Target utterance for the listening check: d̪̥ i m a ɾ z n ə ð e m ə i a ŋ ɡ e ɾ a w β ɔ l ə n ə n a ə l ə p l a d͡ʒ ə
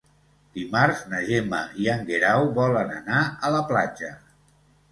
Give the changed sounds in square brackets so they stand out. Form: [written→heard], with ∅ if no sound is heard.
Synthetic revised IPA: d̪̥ i m a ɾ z n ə [ð→ʒ] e m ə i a ŋ ɡ e ɾ a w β ɔ l ə n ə n a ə l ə p l a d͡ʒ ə